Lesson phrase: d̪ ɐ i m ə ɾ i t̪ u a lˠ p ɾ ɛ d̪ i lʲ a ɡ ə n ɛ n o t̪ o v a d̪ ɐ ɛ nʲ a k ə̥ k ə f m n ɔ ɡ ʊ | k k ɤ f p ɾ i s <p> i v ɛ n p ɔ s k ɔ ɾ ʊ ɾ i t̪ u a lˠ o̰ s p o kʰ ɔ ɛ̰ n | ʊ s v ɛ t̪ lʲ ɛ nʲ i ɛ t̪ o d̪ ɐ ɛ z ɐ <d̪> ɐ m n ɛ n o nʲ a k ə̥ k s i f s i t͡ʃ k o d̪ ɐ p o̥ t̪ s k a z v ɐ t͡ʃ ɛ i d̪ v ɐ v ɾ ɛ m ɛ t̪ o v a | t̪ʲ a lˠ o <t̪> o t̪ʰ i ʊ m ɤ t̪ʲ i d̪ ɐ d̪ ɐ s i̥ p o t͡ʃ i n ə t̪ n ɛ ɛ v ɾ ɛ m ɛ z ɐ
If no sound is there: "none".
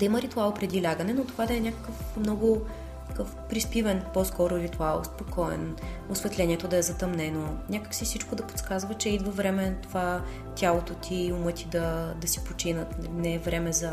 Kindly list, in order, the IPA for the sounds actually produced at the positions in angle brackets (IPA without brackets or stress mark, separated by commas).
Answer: p, t̪, t̪